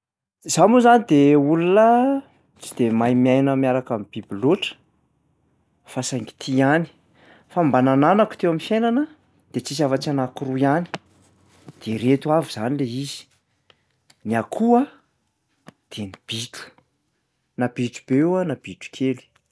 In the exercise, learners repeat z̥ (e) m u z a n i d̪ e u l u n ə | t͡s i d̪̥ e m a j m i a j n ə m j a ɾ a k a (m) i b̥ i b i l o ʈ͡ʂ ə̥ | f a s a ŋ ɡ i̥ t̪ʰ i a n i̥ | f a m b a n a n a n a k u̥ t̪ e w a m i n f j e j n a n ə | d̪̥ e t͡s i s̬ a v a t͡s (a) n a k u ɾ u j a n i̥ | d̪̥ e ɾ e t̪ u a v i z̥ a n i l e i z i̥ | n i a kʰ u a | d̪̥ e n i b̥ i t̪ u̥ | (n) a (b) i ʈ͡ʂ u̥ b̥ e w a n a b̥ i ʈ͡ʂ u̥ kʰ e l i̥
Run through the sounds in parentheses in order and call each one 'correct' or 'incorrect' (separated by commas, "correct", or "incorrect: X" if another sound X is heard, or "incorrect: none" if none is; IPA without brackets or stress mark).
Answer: incorrect: a, correct, correct, correct, correct